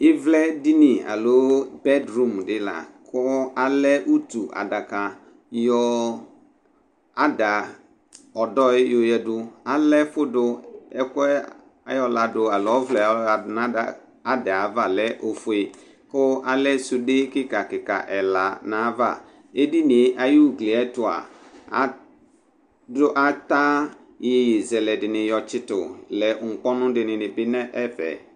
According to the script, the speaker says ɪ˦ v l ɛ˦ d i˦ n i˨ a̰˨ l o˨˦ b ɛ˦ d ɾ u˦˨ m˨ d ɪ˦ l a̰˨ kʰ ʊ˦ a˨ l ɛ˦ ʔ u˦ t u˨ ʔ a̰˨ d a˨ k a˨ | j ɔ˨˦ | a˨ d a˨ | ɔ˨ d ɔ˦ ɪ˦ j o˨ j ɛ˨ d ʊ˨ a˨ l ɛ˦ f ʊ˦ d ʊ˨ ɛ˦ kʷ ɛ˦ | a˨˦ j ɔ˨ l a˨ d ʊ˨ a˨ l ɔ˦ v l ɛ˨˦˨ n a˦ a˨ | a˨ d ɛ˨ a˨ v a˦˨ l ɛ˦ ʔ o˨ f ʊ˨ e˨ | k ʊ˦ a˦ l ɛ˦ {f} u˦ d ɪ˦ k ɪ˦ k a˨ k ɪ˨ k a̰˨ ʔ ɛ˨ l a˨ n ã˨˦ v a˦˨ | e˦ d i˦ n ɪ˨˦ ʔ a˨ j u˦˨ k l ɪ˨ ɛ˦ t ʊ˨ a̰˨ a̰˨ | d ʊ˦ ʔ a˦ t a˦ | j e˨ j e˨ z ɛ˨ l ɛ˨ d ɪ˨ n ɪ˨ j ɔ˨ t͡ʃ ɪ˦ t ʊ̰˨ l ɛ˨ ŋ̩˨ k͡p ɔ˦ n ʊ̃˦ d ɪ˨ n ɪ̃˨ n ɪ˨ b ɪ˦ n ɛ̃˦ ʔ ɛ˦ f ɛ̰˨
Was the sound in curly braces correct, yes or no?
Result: no